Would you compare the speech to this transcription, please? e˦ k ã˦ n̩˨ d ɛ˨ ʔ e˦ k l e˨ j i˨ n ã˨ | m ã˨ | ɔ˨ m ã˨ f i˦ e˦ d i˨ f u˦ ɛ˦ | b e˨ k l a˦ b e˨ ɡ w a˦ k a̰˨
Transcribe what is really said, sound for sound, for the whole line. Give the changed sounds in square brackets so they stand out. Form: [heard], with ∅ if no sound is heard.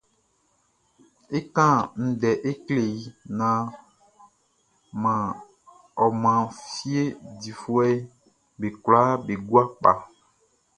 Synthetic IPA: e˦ k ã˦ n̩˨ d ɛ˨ ʔ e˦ k l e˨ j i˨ n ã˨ | m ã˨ | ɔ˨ m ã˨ f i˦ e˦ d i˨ f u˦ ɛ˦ | b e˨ k l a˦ b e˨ ɡ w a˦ [k͡p] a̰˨